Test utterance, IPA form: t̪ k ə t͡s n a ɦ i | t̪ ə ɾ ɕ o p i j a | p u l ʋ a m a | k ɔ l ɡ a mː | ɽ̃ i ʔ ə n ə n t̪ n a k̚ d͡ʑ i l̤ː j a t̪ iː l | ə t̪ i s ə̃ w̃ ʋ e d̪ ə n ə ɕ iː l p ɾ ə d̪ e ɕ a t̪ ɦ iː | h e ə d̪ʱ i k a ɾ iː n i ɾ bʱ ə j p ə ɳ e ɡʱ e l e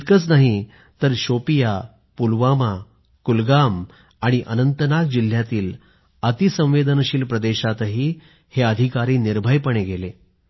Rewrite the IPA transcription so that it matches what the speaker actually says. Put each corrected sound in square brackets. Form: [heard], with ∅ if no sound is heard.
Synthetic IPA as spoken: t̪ k ə t͡s n a ɦ i | t̪ ə ɾ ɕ o p i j a | p u l ʋ a m a | k [u] l ɡ a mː | ɽ̃ i ʔ ə n ə n t̪ n a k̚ d͡ʑ i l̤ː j a t̪ iː l | ə t̪ i s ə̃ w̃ ʋ e d̪ ə n ə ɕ iː l p ɾ ə d̪ e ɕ a t̪ ɦ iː | h e ə d̪ʱ i k a ɾ iː n i ɾ bʱ ə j p ə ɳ e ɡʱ e l e